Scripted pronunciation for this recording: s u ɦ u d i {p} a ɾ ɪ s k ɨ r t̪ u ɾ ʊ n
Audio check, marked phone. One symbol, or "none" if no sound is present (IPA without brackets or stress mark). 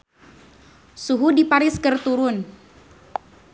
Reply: p